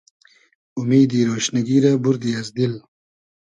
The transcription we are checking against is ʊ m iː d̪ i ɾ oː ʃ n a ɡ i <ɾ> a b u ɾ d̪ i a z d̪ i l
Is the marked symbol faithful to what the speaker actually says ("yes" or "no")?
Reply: yes